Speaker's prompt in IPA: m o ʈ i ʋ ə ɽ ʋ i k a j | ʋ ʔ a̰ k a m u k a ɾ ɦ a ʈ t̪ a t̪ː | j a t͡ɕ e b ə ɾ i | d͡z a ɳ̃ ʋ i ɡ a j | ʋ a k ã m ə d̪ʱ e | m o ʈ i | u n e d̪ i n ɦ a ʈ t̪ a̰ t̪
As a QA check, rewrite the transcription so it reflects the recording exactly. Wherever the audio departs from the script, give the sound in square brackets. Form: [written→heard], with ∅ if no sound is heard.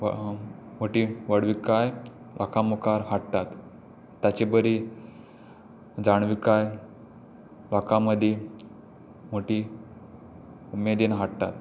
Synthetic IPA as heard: m o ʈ i ʋ ə ɽ ʋ i k a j | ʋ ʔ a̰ k a m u k a ɾ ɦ a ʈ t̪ a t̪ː | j a t͡ɕ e b ə ɾ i | d͡z a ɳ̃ ʋ i [ɡ→k] a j | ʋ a k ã m ə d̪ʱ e | m o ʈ i | u [n→m] e d̪ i n ɦ a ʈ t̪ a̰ t̪